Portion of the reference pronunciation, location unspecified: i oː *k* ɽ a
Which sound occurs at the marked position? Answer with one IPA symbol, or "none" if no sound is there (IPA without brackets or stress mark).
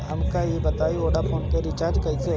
none